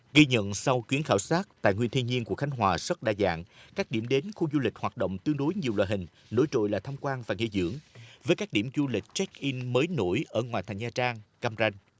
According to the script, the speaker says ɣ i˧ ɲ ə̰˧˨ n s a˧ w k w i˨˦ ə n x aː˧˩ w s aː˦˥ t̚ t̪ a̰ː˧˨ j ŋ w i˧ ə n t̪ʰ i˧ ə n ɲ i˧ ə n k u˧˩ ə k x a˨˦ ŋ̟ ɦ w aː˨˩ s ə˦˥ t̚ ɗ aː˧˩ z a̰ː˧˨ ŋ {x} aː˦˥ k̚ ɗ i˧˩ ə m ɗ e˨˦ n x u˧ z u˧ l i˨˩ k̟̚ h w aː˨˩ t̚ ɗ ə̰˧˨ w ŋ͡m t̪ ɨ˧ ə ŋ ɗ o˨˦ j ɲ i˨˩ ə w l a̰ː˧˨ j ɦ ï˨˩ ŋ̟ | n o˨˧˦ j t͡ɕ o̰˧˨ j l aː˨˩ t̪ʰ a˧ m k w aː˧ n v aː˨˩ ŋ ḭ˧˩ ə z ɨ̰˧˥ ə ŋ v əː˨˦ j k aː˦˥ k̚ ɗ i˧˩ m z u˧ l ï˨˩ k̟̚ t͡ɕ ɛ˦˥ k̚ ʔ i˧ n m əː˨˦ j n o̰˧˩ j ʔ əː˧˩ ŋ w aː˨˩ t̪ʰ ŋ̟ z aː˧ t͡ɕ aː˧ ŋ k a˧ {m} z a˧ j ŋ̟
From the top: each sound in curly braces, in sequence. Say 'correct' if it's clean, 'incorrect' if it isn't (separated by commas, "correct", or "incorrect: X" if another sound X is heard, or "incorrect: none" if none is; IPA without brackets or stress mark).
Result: incorrect: k, correct